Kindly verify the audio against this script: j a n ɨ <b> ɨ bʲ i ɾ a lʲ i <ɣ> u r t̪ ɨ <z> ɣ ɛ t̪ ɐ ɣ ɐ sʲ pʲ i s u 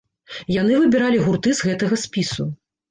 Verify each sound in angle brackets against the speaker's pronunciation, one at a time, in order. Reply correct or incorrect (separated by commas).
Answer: incorrect, correct, correct